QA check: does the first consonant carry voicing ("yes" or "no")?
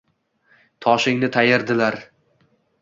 no